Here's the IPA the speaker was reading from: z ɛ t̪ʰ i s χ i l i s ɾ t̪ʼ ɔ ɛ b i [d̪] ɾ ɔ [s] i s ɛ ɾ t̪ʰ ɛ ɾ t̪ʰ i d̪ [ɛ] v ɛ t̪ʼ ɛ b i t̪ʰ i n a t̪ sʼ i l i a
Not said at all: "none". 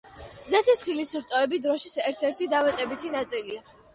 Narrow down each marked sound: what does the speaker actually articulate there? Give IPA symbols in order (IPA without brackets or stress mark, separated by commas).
d̪, ʃ, a